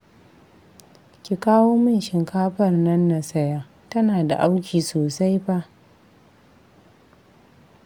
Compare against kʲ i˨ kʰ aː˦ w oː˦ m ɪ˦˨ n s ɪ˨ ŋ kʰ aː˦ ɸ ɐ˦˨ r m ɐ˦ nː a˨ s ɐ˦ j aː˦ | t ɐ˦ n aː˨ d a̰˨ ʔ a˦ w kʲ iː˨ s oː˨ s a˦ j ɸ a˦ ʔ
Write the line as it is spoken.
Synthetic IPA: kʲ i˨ k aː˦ w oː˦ m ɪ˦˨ n ʃ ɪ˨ ŋ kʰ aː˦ ɸ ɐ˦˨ r n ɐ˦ nː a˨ s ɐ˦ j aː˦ | t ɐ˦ n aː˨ d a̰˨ ʔ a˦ w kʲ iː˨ s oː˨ s a˦ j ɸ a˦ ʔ

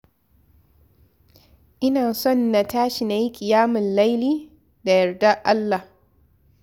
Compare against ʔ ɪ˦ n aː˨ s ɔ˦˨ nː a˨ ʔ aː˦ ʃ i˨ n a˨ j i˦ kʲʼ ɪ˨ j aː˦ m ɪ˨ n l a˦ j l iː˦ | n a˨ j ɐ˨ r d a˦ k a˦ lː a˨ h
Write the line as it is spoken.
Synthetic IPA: ʔ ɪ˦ n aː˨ s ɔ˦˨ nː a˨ t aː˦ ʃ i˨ n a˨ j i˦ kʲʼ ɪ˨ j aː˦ m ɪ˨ n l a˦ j l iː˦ | d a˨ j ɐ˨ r d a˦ ʔ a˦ lː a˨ h

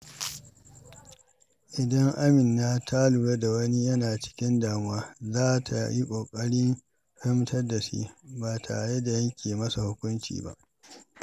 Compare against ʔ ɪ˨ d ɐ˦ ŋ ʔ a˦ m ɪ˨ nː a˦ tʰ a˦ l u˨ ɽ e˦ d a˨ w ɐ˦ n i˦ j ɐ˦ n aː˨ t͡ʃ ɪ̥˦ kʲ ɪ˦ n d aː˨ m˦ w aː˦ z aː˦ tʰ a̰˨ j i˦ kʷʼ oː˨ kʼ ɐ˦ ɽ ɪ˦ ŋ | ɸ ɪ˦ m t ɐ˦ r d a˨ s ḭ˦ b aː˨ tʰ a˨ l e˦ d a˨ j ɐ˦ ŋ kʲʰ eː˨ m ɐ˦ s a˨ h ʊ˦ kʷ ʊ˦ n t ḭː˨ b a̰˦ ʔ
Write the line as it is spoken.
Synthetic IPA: ʔ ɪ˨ d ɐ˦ ŋ ʔ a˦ m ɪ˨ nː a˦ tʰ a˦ l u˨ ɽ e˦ d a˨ w ɐ˦ n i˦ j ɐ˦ n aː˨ t͡ʃ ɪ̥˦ kʲ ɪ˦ n d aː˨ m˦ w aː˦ z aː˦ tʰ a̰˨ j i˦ kʷʼ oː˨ kʼ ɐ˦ ɽ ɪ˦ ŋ | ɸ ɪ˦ m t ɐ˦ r d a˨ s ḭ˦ b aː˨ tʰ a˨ ɽ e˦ d a˨ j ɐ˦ ŋ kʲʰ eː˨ m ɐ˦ s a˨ h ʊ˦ kʷ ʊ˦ n t͡ʃ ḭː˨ b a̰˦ ʔ

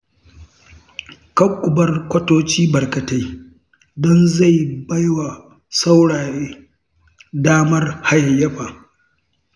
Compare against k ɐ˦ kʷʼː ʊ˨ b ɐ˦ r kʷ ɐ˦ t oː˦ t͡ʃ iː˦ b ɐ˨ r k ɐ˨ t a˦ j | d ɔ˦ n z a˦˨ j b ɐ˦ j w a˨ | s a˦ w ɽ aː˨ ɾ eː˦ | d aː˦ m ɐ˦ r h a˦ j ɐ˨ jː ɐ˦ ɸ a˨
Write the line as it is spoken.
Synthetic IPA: k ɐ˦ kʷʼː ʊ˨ b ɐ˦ r kʷ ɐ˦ t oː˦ t͡ʃ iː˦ b ɐ˨ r k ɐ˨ t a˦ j | d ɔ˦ n z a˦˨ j b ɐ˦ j w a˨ | s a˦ w ɽ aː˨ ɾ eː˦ | d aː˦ m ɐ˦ r h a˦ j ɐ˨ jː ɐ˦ ɸ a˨

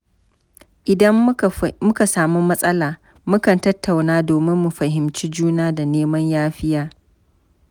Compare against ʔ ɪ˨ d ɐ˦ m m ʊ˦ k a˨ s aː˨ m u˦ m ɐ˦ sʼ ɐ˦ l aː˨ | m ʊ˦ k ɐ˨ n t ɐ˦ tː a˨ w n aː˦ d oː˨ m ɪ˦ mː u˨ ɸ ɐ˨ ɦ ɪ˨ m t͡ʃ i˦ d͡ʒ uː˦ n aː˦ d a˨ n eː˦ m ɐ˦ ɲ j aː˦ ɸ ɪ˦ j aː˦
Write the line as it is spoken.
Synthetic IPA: ʔ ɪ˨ d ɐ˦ m m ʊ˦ k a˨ s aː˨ m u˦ m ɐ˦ sʼ ɐ˦ l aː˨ | m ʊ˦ k ɐ˨ n t ɐ˦ tː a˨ w n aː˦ d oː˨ m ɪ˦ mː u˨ ɸ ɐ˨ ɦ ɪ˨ m t͡ʃ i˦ d͡ʒ uː˦ n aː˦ d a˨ n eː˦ m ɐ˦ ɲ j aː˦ ɸ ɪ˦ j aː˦

